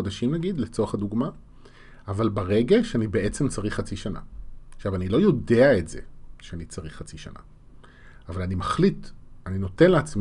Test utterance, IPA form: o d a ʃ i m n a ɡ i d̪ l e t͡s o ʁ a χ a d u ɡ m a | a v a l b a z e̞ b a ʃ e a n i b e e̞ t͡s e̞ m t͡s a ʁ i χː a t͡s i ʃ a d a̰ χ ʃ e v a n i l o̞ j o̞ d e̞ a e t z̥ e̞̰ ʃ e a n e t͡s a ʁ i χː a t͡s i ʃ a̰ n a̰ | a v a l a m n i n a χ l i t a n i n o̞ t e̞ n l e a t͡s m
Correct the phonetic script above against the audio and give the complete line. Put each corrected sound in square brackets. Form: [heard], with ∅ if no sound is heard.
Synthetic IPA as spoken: o d a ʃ i m n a ɡ i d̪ l e t͡s o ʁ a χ a d u ɡ m a | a v a l b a [ʁ] e̞ [ɡ] a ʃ e a n i b e e̞ t͡s e̞ m t͡s a ʁ i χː a t͡s i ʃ a [n] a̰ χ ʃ [a] v a n i l o̞ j o̞ d e̞ a e t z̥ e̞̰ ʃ e a n [i] t͡s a ʁ i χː a t͡s i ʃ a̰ n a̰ | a v a l a [∅] n i [m] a χ l i t a n i n o̞ t e̞ n l e a t͡s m